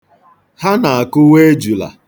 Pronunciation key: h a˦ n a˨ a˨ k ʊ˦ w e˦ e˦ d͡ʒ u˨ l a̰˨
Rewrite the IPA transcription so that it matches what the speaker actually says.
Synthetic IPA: h a˦ n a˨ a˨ k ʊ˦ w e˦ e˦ d͡ʒ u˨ l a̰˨